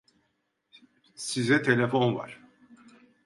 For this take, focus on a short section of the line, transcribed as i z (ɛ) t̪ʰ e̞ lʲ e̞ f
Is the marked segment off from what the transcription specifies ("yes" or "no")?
no